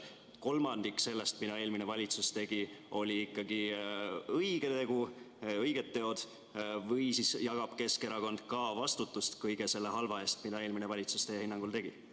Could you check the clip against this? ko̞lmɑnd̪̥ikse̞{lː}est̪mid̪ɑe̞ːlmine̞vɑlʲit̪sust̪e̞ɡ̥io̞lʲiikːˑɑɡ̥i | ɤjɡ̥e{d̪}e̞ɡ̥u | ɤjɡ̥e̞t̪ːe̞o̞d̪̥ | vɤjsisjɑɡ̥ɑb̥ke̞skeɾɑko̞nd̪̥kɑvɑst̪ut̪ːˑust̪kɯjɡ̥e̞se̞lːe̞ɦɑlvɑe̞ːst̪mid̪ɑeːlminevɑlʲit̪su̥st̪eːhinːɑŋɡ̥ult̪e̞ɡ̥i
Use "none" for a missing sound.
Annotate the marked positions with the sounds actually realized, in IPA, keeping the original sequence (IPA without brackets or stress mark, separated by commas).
lː, t̪